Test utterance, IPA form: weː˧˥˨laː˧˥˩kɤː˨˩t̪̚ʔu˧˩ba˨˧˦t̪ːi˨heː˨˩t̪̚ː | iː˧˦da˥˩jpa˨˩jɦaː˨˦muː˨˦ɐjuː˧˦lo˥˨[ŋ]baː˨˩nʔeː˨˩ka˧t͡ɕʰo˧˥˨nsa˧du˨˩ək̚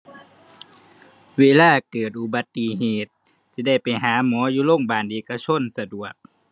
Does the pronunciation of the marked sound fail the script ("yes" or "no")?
no